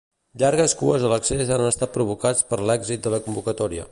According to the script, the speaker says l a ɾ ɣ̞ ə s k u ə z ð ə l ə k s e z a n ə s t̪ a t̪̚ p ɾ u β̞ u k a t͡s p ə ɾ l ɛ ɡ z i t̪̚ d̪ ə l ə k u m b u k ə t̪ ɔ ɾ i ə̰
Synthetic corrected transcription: ʎ a ɾ ɣ̞ ə s k u ə z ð ə l ə k s e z a n ə s t̪ a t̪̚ p ɾ u β̞ u k a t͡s p ə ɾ l ɛ ɡ z i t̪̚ d̪ ə l ə k u m b u k ə t̪ ɔ ɾ i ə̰